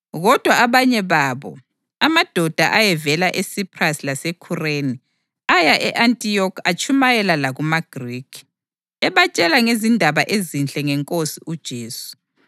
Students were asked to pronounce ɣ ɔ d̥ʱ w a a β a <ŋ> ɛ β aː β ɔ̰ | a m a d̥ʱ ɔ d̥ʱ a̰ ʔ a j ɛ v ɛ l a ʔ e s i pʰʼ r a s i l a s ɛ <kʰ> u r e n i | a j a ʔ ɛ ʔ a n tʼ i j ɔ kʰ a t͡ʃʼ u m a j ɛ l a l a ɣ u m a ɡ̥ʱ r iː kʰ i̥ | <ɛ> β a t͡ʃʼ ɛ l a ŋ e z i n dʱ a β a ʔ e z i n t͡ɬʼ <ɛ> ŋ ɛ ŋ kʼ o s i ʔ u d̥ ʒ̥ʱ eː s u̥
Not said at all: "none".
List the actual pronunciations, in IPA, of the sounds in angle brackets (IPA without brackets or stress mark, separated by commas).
ɲ, kʰ, ɛ, ɛ